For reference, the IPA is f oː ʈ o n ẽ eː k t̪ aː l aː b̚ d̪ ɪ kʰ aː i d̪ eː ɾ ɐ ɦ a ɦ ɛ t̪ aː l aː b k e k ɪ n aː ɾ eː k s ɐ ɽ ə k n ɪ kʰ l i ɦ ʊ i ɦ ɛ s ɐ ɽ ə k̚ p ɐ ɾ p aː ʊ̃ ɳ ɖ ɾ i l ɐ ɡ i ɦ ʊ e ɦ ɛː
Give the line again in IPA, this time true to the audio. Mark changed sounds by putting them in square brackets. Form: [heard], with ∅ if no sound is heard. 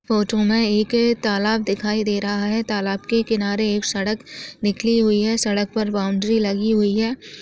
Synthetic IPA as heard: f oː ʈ o [m] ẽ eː k t̪ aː l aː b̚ d̪ ɪ kʰ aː i d̪ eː ɾ ɐ ɦ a ɦ ɛ t̪ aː l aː b k e k ɪ n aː ɾ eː k s ɐ ɽ ə k n ɪ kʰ l i ɦ ʊ i ɦ ɛ s ɐ ɽ ə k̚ p ɐ ɾ [b] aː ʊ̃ ɳ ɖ ɾ i l ɐ ɡ i ɦ ʊ [i] ɦ ɛː